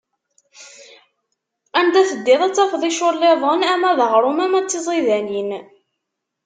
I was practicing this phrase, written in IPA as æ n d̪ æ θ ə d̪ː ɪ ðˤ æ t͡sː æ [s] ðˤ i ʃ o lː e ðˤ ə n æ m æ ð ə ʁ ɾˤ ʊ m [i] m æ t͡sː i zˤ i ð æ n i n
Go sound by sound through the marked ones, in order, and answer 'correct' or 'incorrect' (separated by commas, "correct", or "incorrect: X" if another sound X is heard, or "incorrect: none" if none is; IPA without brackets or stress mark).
incorrect: f, incorrect: æ